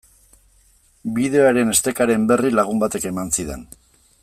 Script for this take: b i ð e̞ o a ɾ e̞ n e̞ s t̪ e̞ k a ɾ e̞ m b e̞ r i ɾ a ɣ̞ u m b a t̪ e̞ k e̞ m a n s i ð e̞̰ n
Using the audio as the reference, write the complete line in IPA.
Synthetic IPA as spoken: b i ð e̞ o a ɾ e̞ n e̞ s t̪ e̞ k a ɾ e̞ m b e̞ r i l a ɣ̞ u m b a t̪ e̞ k e̞ m a n s i ð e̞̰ n